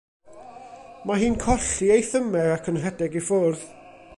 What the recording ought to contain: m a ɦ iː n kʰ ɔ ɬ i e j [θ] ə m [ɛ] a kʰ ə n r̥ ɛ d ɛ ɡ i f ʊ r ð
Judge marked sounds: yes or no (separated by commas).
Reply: yes, yes